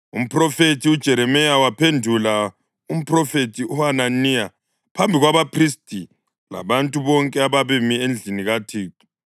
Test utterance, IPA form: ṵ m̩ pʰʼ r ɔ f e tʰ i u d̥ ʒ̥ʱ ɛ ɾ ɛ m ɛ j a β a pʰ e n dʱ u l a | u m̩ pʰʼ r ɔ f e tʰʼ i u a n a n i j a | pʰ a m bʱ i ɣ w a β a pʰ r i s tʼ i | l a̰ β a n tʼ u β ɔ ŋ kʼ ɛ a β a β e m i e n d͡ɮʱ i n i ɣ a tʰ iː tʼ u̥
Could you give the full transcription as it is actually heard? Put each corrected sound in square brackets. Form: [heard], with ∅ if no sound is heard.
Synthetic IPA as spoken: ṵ m̩ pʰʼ r ɔ f e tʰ i u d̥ ʒ̥ʱ ɛ ɾ ɛ m ɛ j a [w] a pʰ e n dʱ u l a | u m̩ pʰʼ r ɔ f e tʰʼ i u a n a n i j a | pʰ a m bʱ i ɣ w a β a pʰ r i s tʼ i | l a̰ β a n tʼ u β ɔ ŋ kʼ ɛ a β a β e m i e n d͡ɮʱ i n i ɣ a tʰ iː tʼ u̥

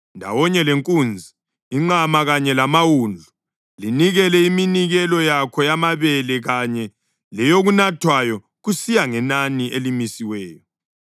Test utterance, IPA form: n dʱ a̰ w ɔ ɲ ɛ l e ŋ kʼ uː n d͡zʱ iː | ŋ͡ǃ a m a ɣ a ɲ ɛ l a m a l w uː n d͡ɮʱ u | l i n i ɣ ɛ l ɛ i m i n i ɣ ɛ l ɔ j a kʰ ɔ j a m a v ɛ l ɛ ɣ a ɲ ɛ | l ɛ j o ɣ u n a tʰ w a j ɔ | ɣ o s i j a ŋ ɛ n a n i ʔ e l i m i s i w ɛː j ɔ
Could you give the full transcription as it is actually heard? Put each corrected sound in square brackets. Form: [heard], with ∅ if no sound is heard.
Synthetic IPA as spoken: n dʱ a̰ w ɔ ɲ ɛ l e ŋ kʼ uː n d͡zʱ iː | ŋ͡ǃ a m a ɣ a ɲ ɛ l a m a [∅] w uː n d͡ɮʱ u | l i n i ɣ ɛ l ɛ i m i n i ɣ ɛ l ɔ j a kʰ ɔ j a m a [β] ɛ l ɛ ɣ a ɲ ɛ | l ɛ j o ɣ u n a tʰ w a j ɔ | ɣ [u] s i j a ŋ ɛ n a n i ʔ e l i m i s i w ɛː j ɔ

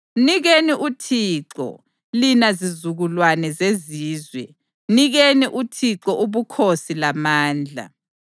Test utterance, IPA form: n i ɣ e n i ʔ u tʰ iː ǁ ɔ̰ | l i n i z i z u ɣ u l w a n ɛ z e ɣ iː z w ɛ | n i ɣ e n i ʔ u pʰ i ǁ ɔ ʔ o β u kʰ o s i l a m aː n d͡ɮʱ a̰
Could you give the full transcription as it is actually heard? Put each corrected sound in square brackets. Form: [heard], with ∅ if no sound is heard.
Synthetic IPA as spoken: n i ɣ e n i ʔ u tʰ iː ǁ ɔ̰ | l i n [a] z i z u ɣ u l w a n ɛ z e [z] iː z w ɛ | n i ɣ e n i ʔ u [tʰ] i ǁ ɔ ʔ [u] β u kʰ o s i l a m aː n d͡ɮʱ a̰

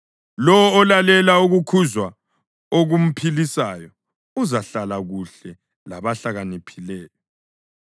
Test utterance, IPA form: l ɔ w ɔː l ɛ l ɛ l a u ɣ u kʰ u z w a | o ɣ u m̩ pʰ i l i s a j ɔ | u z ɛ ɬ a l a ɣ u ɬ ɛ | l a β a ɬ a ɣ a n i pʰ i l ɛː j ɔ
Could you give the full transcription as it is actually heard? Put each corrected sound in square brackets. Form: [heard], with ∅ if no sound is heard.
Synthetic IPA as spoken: l ɔ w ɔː l [a] l ɛ l a u ɣ u kʰ u z w a | o ɣ u m̩ pʰ i l i s a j ɔ | u z [a] ɬ a l a ɣ u ɬ ɛ | l a β a ɬ a ɣ a n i pʰ i l ɛː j ɔ

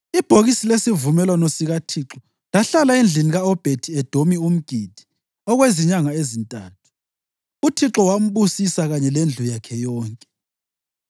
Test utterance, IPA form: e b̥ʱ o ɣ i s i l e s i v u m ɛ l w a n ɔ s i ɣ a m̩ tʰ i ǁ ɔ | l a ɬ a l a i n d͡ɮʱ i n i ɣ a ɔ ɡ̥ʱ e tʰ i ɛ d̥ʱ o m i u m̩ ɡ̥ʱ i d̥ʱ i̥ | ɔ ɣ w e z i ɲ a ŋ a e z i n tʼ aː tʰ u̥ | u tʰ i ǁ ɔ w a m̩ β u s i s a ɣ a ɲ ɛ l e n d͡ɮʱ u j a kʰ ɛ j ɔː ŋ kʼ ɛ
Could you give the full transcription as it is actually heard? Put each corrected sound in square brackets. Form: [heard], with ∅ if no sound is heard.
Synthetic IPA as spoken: [i] b̥ʱ o ɣ i s i l e s i v u m ɛ l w a n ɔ s i ɣ a [∅] tʰ i ǁ ɔ | l a ɬ a l a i n d͡ɮʱ i n i ɣ a ɔ [b̥ʱ] e tʰ i ɛ d̥ʱ o m i u m̩ ɡ̥ʱ i d̥ʱ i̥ | ɔ ɣ w e z i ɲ a ŋ a e z i n tʼ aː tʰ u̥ | u tʰ i ǁ ɔ w a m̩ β u s i s a ɣ a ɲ ɛ l e n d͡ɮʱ u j a kʰ ɛ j ɔː ŋ kʼ ɛ

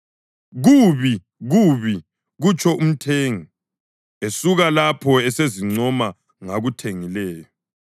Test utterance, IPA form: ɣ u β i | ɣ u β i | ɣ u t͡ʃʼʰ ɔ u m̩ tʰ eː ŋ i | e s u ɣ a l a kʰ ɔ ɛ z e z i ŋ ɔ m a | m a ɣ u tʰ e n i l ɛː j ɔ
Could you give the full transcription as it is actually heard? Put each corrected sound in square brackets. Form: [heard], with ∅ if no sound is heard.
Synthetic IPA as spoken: ɣ u β i | ɣ u β i | ɣ u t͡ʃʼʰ ɔ u m̩ tʰ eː ŋ i | e s u ɣ a l a [pʰ] ɔ ɛ [s] e z i [ŋ͡ǀ] ɔ m a | [ŋ] a ɣ u tʰ e [ŋ] i l ɛː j ɔ

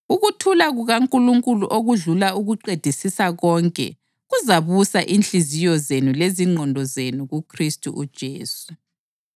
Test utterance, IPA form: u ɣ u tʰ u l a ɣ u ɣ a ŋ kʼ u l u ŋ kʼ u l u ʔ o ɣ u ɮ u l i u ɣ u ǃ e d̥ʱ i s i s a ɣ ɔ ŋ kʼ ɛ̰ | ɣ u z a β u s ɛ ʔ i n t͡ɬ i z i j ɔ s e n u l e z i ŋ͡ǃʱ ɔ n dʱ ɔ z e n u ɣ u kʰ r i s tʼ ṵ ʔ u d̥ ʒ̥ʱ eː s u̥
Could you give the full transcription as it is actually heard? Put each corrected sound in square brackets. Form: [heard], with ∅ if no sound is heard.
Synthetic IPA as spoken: u ɣ u tʰ u l a ɣ u ɣ a ŋ kʼ u l u ŋ kʼ u l u ʔ o ɣ u ɮ u l [a] u ɣ u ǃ e d̥ʱ i s i s a ɣ ɔ ŋ kʼ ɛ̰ | ɣ u z a β u s [a] ʔ i n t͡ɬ i z i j ɔ [z] e n u l e z i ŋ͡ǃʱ ɔ n dʱ ɔ z e n u ɣ u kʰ r i s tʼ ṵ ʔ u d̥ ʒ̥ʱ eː s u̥

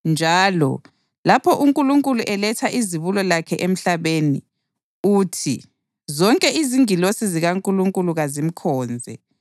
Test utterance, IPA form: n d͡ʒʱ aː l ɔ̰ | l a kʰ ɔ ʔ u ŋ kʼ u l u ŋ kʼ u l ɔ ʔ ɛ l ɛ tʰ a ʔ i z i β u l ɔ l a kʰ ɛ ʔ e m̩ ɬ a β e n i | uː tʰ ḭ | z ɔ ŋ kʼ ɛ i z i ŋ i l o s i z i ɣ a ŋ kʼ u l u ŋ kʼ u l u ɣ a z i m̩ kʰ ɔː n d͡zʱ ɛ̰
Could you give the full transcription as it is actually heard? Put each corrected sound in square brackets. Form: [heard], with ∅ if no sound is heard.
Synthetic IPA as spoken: n d͡ʒʱ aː l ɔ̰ | l a [pʰ] ɔ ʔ u ŋ kʼ u l u ŋ kʼ u l [u] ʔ ɛ l ɛ tʰ a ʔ i z i β u l ɔ l a kʰ ɛ ʔ e m̩ ɬ a β e n i | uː tʰ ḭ | z ɔ ŋ kʼ ɛ i z i ŋ i l o s i z i ɣ a ŋ kʼ u l u ŋ kʼ u l u ɣ a z i m̩ kʰ ɔː n d͡zʱ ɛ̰

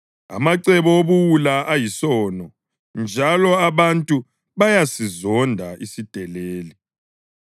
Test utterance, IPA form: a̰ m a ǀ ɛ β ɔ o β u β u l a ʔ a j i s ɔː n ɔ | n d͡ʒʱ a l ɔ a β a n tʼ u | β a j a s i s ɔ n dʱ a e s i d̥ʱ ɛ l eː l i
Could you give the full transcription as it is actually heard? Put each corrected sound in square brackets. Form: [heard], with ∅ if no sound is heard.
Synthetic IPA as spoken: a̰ m a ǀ ɛ β ɔ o β u [w] u l a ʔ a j i s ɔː n ɔ | n d͡ʒʱ a l ɔ a β a n tʼ u | β a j a s i [z] ɔ n dʱ a [i] s i d̥ʱ ɛ l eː l i

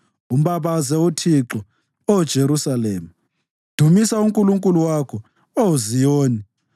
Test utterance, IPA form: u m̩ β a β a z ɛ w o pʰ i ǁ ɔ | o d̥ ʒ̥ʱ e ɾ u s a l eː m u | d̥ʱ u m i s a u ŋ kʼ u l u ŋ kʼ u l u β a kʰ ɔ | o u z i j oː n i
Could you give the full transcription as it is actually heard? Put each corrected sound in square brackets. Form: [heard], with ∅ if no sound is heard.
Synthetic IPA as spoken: u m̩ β a β a z ɛ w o [tʰ] i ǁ ɔ | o d̥ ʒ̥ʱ e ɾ u s a l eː m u | d̥ʱ u m i s a u ŋ kʼ u l u ŋ kʼ u l u [w] a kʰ ɔ | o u z i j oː n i

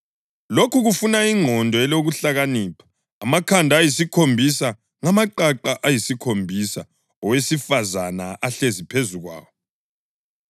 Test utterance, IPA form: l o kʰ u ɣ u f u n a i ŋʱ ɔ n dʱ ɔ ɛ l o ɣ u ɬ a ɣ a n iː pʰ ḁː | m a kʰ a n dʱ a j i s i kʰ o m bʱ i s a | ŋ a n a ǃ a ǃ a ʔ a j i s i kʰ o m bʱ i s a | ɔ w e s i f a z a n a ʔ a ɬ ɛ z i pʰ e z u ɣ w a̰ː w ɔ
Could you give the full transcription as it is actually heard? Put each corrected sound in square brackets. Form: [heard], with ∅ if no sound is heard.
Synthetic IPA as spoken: l o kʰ u ɣ u f u n a i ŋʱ ɔ n dʱ ɔ ɛ l o ɣ u ɬ a ɣ a n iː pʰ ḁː | m a kʰ a n dʱ a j i s i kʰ o m bʱ i s a | ŋ a [m] a ǃ a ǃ a ʔ a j i s i kʰ o m bʱ i s a | ɔ w e s i f a z a n a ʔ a ɬ [e] z i pʰ e z u ɣ w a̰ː w ɔ

